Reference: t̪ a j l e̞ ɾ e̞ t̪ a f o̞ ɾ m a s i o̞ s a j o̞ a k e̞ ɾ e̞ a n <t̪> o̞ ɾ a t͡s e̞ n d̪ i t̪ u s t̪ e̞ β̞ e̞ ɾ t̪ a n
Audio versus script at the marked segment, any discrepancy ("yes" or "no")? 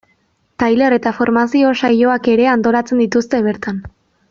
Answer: no